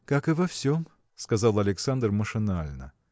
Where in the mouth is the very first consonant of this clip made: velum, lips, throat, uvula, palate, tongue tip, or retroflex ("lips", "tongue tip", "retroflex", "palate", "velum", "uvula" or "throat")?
velum